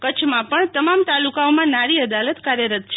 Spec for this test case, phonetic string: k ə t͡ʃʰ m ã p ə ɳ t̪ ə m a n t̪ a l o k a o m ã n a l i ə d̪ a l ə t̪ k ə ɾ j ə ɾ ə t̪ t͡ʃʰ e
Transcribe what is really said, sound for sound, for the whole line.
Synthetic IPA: k ə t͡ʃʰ m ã p ə ɳ t̪ ə m a m t̪ a l u k a o m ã n a ɾ i ə d̪ a l ə t̪ k a ɾ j ə ɾ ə t̪ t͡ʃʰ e